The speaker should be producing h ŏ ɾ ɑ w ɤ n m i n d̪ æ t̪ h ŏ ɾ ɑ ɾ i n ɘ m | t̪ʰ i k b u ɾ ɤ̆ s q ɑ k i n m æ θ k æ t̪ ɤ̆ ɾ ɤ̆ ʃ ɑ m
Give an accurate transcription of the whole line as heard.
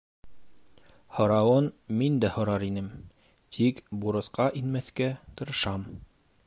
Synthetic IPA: h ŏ ɾ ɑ w ɤ n m i n d̪ æ h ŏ ɾ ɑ ɾ i n ɘ m | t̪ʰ i k b u ɾ ɤ̆ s q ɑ ʔ i n m æ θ k æ t̪ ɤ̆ ɾ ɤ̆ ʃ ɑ m